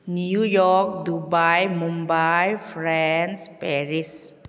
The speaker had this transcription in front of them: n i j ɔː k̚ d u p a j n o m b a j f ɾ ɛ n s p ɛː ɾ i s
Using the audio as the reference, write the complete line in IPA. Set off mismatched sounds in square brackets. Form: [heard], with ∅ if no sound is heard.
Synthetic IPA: n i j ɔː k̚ d u [b] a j [m] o m b a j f ɾ ɛ n s p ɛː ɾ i s